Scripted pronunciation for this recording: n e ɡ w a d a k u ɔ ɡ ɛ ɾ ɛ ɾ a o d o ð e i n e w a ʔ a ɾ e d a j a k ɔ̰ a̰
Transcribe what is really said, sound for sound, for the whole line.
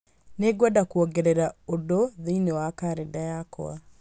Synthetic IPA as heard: n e ɡ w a d a k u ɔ ɡ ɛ ɾ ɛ ɾ a o d o ð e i n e w a k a ɾ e d a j a k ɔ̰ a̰